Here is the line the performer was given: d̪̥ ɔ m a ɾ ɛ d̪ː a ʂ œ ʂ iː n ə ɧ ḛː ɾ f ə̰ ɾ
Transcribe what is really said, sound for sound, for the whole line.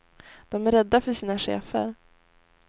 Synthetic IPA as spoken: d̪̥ ɔ m æ ɾ ɛ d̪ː a f œ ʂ iː n a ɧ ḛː f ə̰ ɾ